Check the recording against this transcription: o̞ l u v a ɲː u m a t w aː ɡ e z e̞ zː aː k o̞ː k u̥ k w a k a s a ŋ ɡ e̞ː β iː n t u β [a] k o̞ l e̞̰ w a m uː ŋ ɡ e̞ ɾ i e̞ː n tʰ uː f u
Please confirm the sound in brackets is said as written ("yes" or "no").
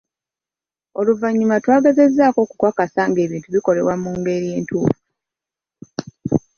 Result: no